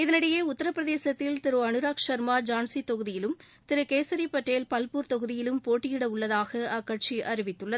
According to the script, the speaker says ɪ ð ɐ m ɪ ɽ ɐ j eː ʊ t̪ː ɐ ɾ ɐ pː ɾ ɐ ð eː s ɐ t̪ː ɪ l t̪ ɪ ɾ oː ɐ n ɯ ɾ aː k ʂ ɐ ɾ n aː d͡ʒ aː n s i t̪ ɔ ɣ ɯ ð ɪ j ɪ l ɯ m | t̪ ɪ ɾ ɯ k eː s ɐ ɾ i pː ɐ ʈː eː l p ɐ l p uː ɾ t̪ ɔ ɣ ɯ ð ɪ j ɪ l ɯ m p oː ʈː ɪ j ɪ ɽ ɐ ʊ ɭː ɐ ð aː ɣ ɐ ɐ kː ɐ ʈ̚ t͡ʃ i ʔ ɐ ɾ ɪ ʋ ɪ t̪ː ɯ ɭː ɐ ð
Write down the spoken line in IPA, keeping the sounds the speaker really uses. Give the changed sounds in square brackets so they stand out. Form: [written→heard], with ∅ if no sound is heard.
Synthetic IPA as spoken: ɪ ð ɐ [m→n] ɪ ɽ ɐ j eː ʊ t̪ː ɐ ɾ ɐ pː ɾ ɐ ð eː s ɐ t̪ː ɪ l t̪ ɪ ɾ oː ɐ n ɯ ɾ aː k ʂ ɐ ɾ [n→m] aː d͡ʒ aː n s i t̪ ɔ ɣ ɯ ð ɪ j ɪ l ɯ m | t̪ ɪ ɾ ɯ k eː s ɐ ɾ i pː ɐ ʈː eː l p ɐ l p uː ɾ t̪ ɔ ɣ ɯ ð ɪ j ɪ l ɯ m p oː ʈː ɪ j ɪ ɽ ɐ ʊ ɭː ɐ ð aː ɣ ɐ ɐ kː ɐ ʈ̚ t͡ʃ i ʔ ɐ ɾ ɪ ʋ ɪ t̪ː ɯ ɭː ɐ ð